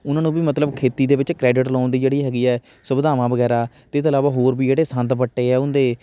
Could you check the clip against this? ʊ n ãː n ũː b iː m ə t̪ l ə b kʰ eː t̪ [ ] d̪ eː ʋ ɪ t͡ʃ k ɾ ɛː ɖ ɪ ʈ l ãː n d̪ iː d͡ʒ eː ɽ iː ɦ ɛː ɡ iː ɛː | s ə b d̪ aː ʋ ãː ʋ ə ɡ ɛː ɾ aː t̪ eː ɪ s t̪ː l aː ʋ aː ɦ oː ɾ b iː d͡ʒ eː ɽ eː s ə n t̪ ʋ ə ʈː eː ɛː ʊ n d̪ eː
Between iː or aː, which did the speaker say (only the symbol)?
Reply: iː